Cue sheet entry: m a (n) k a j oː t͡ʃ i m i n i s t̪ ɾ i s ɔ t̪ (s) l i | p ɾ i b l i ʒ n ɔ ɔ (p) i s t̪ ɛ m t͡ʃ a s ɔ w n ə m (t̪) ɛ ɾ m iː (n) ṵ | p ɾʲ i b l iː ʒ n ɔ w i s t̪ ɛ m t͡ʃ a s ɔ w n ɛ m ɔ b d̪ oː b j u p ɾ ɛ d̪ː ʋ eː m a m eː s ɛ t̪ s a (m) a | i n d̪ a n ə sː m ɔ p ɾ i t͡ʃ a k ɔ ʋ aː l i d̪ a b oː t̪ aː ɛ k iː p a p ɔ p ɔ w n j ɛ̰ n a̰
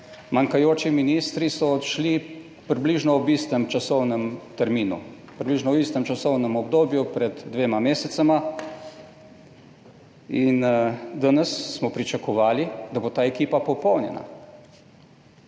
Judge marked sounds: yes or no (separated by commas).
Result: no, no, no, yes, yes, yes